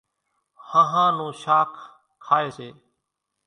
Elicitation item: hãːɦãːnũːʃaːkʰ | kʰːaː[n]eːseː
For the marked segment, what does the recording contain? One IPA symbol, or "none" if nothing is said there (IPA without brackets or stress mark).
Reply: none